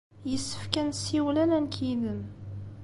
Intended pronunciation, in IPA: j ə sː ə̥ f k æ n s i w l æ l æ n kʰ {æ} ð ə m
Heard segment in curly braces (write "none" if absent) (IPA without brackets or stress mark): i